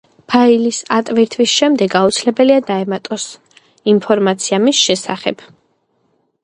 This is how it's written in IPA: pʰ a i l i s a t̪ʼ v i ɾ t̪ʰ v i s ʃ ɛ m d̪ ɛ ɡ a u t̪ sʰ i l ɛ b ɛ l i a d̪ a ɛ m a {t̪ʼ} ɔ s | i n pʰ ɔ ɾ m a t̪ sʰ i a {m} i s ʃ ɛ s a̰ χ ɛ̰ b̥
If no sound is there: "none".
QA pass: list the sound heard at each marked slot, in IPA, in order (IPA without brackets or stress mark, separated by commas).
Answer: t̪ʼ, m